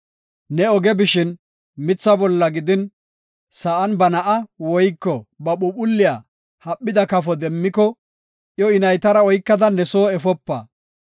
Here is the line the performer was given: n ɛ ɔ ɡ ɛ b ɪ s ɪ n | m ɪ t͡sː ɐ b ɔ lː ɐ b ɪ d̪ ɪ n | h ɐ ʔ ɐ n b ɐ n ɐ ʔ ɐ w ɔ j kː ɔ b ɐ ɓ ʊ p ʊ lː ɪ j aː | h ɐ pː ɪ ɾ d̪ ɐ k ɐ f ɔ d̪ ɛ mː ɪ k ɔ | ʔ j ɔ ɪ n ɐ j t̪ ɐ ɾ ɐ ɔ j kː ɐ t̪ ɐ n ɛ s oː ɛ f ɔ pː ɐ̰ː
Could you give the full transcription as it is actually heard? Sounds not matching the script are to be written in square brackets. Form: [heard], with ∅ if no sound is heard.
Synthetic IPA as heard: n ɛ ɔ ɡ ɛ b ɪ [ʃ] ɪ n | m ɪ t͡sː ɐ b ɔ lː ɐ [ɡ] ɪ d̪ ɪ n | [s] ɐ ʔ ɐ n b ɐ n ɐ ʔ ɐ w ɔ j kː ɔ b ɐ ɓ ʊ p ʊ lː ɪ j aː | h ɐ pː ɪ [∅] d̪ ɐ k ɐ f ɔ d̪ ɛ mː ɪ k ɔ | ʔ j ɔ ɪ n ɐ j t̪ ɐ ɾ ɐ ɔ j kː ɐ [d̪] ɐ n ɛ s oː ɛ f ɔ pː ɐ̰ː